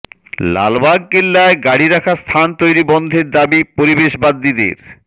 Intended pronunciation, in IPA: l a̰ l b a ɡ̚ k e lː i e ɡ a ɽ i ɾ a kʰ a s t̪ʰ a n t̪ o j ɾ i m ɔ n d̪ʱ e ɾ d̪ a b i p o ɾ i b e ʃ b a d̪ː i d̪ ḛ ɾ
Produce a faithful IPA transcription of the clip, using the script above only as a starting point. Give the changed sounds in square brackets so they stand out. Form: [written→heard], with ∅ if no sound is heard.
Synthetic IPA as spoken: l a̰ l b a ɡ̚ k e lː [i→a] e ɡ a ɽ i ɾ a kʰ a s t̪ʰ a n t̪ o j ɾ i [m→b] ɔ n d̪ʱ e ɾ d̪ a b i p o ɾ i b e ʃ b a d̪ː i d̪ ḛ ɾ